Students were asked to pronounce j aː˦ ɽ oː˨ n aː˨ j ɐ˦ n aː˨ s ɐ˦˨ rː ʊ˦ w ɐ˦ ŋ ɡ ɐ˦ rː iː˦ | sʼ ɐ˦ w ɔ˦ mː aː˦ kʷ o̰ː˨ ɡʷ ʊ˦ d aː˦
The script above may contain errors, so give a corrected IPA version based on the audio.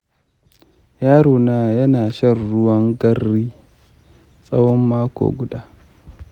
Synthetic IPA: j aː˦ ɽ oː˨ n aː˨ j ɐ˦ n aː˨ ʃ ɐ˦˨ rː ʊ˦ w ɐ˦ ŋ ɡ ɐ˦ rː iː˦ | sʼ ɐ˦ w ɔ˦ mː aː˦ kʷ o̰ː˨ ɡʷ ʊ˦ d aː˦